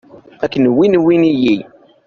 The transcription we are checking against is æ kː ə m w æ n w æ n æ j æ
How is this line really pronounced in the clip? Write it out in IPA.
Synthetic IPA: æ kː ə n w i n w i n i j i